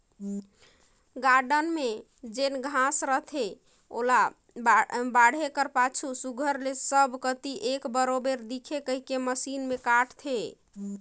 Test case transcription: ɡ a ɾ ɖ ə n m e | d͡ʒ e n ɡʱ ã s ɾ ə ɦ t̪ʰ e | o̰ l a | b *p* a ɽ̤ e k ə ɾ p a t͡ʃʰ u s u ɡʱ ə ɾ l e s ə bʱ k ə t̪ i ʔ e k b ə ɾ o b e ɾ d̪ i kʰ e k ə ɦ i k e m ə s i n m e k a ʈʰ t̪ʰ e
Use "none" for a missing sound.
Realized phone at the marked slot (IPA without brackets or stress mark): b